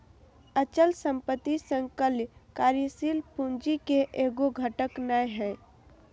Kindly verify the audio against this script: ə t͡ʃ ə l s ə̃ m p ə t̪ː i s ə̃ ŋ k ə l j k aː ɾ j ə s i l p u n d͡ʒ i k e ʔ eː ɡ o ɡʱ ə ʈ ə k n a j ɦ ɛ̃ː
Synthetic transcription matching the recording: ə t͡ʃ ə l s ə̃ m p ə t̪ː i s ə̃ ŋ k ə l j k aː ɾ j ə s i l p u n d͡ʒ i k e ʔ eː ɡ o ɡʱ ə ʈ ə k n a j ɦ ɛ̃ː